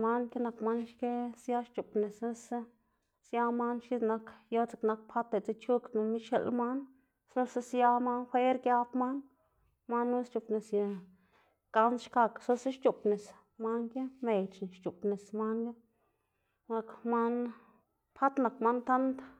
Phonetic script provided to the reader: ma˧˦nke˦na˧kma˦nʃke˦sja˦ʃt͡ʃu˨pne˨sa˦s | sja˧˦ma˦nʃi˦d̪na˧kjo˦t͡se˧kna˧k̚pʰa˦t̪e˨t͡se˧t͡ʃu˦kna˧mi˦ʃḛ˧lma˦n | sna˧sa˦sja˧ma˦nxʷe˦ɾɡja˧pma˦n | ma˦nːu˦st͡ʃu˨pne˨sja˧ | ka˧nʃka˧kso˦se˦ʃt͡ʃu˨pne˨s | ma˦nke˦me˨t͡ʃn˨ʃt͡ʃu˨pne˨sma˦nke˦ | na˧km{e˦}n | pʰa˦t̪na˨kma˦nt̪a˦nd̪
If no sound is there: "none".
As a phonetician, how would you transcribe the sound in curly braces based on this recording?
a˦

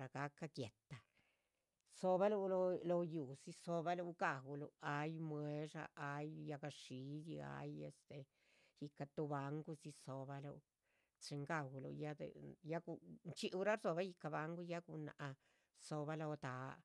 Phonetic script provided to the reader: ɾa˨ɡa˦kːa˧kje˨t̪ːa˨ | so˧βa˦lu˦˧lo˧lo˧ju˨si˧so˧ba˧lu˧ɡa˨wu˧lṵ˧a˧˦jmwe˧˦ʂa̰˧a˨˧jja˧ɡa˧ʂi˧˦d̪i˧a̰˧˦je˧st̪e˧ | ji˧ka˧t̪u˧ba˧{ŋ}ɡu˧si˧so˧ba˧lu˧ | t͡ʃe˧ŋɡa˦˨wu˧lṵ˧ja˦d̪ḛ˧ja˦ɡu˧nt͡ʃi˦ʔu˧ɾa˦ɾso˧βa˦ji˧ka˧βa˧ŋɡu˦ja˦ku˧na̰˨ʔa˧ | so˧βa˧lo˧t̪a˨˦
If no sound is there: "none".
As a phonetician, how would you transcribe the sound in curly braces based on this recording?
ŋ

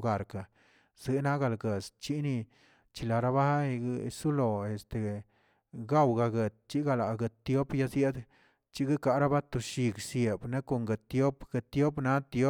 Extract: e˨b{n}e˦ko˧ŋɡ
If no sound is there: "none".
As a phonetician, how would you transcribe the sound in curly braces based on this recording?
n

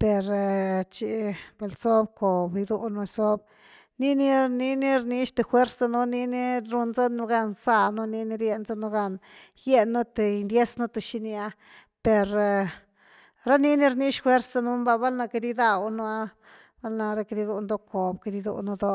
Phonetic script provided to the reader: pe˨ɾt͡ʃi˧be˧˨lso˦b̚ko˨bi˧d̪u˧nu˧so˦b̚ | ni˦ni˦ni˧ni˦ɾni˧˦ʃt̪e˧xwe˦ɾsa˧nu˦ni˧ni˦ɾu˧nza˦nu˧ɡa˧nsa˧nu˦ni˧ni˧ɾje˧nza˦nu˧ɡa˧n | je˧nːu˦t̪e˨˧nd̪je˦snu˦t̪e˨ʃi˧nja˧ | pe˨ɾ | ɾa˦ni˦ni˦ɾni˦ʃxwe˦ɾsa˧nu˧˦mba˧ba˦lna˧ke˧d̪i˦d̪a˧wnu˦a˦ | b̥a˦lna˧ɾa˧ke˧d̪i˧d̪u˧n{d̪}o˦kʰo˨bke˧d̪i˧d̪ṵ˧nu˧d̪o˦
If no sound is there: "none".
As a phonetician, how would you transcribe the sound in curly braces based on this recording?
d̪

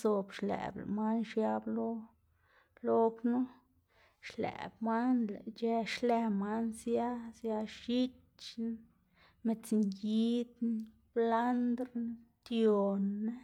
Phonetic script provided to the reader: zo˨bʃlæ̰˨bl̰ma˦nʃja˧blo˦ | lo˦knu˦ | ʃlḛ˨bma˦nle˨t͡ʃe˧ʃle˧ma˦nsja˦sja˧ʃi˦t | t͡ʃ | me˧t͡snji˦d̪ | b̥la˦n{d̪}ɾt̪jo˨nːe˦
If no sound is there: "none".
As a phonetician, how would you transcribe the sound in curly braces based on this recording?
d̪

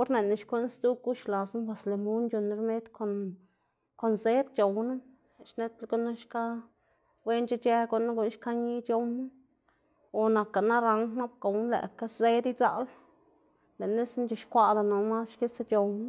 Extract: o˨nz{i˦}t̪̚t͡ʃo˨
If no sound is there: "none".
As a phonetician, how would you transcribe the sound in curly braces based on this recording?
e˦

